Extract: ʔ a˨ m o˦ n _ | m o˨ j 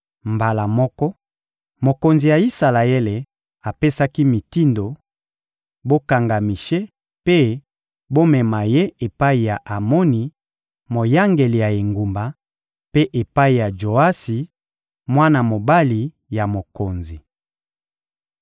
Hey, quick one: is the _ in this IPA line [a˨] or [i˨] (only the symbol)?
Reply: i˨